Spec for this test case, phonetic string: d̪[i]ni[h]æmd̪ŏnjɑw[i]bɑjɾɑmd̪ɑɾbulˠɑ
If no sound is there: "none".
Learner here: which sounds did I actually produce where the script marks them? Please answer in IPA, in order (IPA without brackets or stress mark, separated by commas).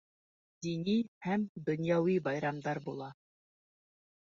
i, h, i